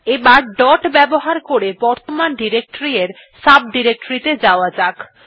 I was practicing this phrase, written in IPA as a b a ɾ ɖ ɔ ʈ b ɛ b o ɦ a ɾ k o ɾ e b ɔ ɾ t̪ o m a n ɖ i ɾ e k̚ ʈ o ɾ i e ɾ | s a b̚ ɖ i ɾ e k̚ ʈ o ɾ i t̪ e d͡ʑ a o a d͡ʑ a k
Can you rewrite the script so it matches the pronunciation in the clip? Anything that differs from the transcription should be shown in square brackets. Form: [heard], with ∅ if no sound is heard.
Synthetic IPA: [e] b a ɾ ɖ ɔ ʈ b ɛ b o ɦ a ɾ k o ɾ e b ɔ ɾ t̪ o m a n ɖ i ɾ e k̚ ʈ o ɾ i e ɾ | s a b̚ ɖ i ɾ e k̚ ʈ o ɾ i t̪ e d͡ʑ a o a d͡ʑ a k

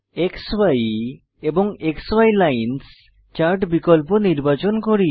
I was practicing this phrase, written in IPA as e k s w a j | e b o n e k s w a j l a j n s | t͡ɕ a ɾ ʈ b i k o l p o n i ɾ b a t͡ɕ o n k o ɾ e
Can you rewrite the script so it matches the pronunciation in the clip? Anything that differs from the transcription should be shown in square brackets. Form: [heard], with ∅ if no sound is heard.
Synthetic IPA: e k s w a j | e b o [ŋ] e k s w a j l a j n s | t͡ɕ a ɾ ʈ b i k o l p o n i ɾ b a t͡ɕ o n k o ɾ [i]

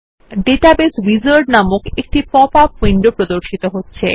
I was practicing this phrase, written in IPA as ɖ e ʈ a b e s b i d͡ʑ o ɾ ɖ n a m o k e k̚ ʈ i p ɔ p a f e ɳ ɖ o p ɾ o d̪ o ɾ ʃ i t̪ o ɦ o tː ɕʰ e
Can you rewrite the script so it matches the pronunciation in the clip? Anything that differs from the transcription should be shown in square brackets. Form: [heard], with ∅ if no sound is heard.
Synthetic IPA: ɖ e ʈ a b e s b i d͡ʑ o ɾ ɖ n a m o k e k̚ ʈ i p ɔ p a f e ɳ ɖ o p ɾ o d̪ o ɾ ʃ i t̪ o ɦ o tː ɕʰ e

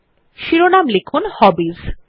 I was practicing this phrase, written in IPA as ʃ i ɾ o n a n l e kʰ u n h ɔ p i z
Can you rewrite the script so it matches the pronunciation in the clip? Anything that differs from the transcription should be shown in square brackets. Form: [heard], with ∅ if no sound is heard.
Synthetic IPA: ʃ i ɾ o n a [m] l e kʰ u n h ɔ [b] i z

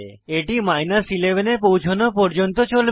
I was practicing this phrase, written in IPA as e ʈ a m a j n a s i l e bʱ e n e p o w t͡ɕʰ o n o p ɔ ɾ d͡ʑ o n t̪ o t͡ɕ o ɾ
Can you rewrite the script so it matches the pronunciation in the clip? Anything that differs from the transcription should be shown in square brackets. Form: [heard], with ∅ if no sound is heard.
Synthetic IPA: e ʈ [i] m a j n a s i l e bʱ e n e p o w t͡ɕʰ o n o p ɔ ɾ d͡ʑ o n t̪ o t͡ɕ o [l]

